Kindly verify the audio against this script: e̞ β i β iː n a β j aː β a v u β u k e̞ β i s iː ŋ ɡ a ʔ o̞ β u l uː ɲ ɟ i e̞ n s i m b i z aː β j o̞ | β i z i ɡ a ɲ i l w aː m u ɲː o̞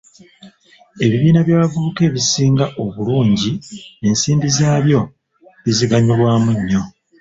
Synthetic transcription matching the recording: e̞ β i β iː n a β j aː β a v u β u k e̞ β i s iː ŋ ɡ a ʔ o̞ β u l uː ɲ ɟ i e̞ n s iː m b i z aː β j o̞ | β i z i ɡ a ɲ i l w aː m u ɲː o̞